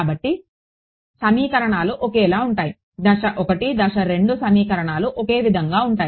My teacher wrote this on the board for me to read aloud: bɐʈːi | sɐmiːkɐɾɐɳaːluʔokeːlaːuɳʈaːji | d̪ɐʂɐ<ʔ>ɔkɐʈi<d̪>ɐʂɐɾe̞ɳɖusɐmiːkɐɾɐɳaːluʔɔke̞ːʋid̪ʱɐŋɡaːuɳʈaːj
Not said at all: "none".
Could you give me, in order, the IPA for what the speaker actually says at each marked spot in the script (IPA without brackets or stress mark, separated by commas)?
ʔ, d̪